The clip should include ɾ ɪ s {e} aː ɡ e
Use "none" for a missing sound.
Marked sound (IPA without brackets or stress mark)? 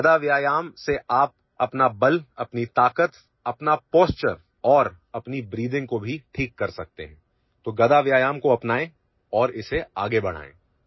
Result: e